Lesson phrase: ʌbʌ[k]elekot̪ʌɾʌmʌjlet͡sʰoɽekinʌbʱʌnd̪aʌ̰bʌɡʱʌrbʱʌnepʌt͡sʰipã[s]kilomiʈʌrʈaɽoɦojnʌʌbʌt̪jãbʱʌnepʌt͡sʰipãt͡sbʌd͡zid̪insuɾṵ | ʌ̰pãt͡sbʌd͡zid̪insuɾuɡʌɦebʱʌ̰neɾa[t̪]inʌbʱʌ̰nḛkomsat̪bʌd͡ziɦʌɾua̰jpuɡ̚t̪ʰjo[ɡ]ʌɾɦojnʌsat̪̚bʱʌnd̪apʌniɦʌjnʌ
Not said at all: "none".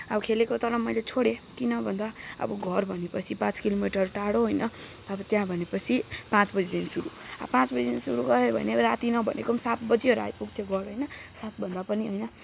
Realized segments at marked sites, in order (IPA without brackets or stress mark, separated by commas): kʰ, t͡s, t̪, ɡ